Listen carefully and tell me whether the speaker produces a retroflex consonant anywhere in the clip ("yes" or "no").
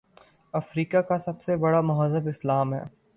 yes